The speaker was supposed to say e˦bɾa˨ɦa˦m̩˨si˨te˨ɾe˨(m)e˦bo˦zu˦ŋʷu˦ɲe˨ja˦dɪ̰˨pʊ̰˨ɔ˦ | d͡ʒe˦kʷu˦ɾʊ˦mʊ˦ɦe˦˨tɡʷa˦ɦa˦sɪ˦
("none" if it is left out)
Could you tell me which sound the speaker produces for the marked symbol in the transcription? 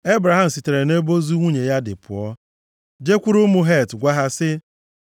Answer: n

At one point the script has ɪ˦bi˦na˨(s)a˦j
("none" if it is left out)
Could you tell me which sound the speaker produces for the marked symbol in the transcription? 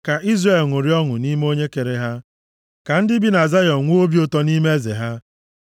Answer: z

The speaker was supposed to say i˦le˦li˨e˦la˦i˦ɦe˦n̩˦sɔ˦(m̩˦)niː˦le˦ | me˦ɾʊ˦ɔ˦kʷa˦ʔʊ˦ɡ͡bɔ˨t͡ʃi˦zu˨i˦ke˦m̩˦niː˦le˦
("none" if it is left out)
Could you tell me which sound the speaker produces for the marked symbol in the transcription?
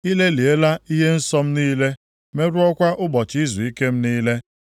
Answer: m̩˦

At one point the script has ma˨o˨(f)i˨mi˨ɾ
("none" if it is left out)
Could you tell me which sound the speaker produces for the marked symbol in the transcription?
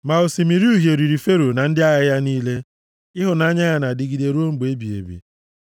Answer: s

